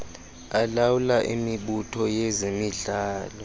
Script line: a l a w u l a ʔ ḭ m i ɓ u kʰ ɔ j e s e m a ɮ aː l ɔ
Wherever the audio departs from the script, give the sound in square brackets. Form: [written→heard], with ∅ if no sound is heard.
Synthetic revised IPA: a l a w u l a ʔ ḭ m i ɓ u [kʰ→tʰ] ɔ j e [s→z] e m [a→i] ɮ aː l ɔ